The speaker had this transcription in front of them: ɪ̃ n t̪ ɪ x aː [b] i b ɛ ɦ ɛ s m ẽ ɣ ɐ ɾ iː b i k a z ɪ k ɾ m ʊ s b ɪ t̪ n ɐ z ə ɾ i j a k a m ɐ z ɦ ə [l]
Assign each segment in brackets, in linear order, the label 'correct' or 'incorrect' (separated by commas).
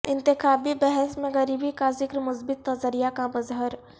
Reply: correct, incorrect